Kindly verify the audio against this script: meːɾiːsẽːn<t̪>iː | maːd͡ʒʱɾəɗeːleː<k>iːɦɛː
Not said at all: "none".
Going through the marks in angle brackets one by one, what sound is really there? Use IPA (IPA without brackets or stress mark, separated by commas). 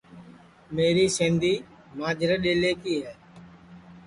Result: d̪, k